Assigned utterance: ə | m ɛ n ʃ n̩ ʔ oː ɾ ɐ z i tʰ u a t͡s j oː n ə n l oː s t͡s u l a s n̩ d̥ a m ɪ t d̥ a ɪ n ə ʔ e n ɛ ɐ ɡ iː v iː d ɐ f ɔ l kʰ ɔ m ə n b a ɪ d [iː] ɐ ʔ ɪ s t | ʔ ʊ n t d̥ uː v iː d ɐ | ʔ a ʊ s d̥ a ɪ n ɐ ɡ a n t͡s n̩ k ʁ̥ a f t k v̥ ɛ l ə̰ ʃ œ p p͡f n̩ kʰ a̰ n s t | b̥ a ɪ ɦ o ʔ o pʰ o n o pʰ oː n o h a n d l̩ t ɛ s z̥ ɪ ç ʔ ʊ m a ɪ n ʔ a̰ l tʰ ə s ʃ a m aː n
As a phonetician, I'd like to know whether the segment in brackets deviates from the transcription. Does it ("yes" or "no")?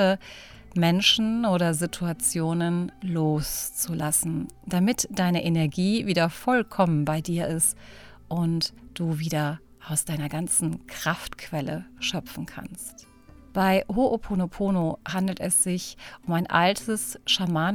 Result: no